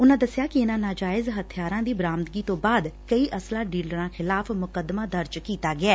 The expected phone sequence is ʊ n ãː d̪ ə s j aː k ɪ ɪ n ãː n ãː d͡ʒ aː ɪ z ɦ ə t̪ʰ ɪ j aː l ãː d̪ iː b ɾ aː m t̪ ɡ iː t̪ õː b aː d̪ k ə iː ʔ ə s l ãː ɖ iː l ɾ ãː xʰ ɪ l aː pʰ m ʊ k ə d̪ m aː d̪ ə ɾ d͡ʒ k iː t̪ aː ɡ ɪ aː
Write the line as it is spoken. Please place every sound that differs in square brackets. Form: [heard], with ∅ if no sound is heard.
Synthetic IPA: ʊ n ãː d̪ ə s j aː k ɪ ɪ n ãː n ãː d͡ʒ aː ɪ z ɦ ə t̪ʰ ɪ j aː [ɾ] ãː d̪ iː b ɾ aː m t̪ ɡ iː t̪ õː b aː d̪ k ə iː ʔ ə s l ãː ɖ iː l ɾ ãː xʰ ɪ l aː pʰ m ʊ k ə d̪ m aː d̪ ə ɾ d͡ʒ k iː t̪ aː ɡ ɪ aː